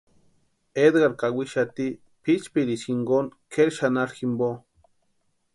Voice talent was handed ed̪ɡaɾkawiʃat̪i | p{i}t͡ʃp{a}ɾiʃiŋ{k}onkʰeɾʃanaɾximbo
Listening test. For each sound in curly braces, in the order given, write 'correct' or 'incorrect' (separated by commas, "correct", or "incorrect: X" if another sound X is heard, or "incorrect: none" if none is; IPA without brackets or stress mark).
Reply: correct, incorrect: i, incorrect: ɡ